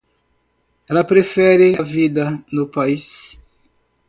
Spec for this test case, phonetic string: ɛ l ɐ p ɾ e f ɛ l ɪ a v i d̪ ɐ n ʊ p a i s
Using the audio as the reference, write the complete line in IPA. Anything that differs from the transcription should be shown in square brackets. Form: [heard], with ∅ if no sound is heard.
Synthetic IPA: ɛ l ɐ p ɾ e f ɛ [ɾ] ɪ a v i d̪ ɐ n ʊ p a i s